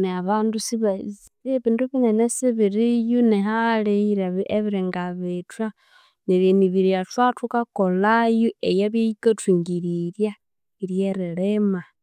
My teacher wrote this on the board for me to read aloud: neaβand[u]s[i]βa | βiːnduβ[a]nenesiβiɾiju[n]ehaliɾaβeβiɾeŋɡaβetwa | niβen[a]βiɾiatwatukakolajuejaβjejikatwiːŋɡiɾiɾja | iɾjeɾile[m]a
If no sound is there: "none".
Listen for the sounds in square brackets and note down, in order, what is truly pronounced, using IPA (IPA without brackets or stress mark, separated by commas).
u, i, i, n, i, m